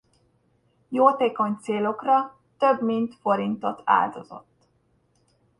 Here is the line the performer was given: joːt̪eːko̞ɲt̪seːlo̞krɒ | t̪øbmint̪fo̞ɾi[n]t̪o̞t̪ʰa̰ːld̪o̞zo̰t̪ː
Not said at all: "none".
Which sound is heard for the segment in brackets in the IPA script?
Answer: n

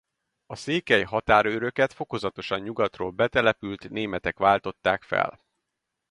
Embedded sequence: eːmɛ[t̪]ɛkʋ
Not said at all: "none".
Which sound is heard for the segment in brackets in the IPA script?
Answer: t̪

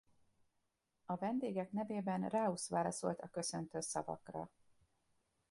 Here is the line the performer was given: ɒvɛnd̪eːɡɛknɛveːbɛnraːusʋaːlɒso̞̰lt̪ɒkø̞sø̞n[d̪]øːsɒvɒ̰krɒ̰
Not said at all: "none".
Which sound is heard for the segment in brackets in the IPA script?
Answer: t̪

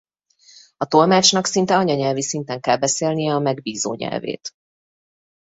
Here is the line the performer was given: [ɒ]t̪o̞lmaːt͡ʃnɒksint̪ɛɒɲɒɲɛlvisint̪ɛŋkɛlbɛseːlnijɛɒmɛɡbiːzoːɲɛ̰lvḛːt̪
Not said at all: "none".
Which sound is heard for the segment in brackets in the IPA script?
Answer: ɒ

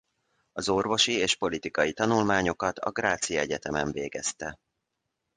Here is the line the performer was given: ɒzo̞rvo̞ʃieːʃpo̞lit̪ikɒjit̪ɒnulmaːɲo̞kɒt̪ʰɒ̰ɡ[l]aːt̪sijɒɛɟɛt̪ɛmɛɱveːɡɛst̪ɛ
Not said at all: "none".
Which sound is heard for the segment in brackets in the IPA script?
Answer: r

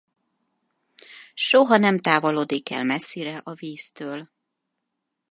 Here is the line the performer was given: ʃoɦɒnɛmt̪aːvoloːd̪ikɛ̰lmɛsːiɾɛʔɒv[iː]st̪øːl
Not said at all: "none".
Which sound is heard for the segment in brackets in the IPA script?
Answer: iː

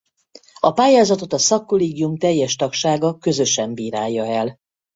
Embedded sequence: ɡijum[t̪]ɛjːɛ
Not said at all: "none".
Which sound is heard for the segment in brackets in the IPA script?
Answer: t̪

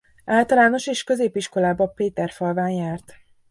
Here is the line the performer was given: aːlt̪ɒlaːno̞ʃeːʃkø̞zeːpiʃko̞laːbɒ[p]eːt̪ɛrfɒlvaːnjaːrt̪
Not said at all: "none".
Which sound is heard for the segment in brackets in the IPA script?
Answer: p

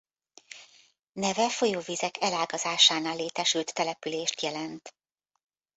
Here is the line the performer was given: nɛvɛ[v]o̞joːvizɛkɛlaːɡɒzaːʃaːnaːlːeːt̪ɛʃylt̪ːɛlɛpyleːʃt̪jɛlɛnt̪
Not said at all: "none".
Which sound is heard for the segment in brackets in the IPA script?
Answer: f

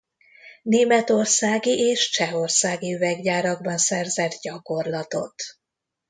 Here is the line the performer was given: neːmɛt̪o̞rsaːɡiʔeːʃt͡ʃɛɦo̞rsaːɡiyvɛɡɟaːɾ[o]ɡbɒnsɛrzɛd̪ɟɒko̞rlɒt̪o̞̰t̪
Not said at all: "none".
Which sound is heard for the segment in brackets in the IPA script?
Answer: ɒ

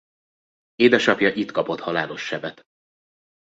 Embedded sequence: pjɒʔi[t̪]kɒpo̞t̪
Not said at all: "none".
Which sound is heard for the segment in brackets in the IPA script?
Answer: t̪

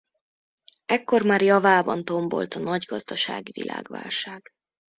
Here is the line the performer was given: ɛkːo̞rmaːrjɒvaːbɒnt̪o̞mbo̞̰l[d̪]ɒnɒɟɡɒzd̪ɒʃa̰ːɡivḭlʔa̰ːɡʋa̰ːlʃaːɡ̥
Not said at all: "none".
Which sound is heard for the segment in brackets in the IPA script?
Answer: t̪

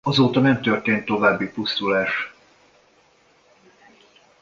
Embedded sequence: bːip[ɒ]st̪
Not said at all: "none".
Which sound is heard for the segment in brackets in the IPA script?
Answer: u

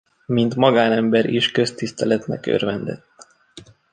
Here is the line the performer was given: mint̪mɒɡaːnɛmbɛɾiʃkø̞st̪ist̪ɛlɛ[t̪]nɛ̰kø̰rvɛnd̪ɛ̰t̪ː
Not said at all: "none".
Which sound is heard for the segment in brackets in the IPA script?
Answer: t̪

